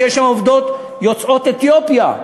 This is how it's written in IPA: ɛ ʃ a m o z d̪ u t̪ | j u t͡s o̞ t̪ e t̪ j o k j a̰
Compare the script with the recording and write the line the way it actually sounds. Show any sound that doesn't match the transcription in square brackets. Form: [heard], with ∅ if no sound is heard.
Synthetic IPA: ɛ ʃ a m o [v] d̪ [o] t̪ | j [o] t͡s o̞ t̪ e t̪ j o [p] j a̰